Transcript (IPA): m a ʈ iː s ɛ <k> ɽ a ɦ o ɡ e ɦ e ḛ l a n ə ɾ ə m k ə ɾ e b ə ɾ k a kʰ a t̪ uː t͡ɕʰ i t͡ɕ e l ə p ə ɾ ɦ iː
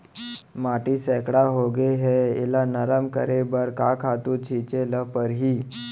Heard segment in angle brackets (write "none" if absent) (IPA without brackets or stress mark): k